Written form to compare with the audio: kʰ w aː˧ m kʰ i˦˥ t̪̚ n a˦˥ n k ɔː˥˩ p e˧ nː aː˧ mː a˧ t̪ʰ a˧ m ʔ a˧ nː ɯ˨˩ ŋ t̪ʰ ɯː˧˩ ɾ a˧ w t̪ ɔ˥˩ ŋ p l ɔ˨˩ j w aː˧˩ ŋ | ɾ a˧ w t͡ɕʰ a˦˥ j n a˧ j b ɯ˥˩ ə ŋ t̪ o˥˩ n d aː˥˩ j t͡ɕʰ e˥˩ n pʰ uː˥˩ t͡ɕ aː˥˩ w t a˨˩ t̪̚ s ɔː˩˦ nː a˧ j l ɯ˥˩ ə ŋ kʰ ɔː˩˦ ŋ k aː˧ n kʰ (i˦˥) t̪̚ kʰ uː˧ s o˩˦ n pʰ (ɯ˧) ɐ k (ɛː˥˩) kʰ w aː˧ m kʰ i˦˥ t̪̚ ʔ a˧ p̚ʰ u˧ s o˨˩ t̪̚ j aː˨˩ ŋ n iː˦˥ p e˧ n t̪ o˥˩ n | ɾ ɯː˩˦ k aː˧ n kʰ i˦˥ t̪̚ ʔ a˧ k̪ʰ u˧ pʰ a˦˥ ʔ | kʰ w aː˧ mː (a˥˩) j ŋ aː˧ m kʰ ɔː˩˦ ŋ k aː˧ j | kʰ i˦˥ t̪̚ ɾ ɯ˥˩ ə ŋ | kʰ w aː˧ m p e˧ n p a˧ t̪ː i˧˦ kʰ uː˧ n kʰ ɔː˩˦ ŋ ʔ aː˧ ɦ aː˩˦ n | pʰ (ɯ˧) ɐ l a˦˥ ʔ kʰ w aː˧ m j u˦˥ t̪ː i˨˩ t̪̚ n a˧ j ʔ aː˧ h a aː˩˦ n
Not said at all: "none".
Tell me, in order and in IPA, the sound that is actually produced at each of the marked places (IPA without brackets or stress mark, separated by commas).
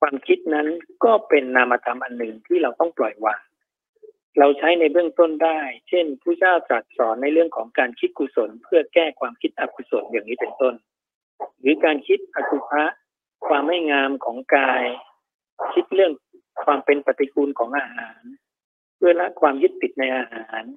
i˦˥, ɯ˥˩, ɛː˥˩, a˥˩, ɯ˥˩